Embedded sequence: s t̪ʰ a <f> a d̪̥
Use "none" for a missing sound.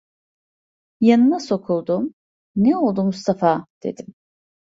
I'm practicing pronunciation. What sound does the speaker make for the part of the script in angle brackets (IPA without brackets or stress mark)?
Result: f